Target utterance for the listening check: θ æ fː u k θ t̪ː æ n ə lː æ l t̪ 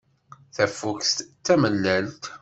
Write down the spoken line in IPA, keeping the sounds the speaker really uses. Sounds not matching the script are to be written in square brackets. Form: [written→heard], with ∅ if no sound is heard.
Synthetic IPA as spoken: θ æ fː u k [θ→s] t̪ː æ [n→m] ə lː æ l t̪